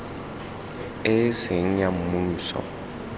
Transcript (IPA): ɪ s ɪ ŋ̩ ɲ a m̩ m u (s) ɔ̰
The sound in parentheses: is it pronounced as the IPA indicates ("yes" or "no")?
yes